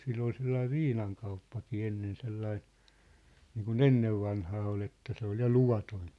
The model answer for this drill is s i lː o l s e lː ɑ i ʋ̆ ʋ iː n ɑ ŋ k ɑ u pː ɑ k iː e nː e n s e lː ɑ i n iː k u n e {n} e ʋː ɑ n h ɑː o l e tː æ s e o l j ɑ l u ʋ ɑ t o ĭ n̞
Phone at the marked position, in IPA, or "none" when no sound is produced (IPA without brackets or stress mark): nː